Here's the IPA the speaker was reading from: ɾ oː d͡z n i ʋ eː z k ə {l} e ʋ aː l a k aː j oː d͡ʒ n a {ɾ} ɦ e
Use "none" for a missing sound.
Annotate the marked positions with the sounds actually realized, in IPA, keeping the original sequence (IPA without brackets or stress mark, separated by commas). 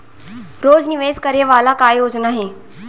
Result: ɾ, none